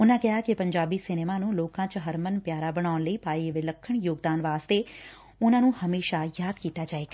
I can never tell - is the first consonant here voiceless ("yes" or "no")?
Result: no